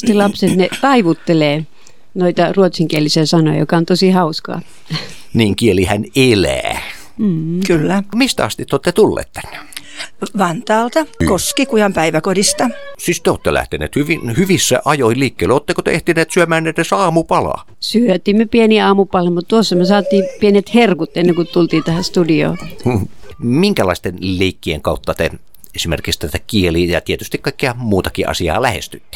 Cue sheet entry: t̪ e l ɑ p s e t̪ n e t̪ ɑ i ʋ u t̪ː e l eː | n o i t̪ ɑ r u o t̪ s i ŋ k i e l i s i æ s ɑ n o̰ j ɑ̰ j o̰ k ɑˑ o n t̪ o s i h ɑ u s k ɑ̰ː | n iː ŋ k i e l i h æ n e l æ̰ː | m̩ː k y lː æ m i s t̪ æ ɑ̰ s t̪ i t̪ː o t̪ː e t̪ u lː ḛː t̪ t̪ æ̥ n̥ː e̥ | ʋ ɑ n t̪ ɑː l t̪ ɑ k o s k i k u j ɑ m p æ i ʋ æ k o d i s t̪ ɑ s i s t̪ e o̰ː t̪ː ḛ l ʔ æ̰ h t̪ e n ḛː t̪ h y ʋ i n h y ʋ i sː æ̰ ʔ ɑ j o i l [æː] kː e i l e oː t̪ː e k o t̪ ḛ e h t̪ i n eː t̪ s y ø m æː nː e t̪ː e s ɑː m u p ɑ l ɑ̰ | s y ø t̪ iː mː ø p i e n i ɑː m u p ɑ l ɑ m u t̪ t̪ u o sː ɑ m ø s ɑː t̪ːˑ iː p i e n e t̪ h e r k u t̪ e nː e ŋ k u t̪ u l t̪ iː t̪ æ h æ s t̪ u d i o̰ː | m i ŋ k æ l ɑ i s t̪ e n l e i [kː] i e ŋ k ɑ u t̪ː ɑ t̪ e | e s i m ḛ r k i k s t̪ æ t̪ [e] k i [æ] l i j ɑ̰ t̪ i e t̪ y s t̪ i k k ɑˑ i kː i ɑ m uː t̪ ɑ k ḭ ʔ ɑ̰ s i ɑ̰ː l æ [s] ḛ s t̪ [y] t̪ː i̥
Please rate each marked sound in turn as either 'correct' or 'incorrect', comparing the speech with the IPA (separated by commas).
incorrect, correct, incorrect, incorrect, incorrect, correct